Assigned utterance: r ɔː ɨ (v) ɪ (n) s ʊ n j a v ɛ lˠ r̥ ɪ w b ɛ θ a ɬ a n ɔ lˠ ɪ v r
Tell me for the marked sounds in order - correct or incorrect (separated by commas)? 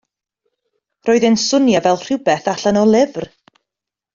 incorrect, correct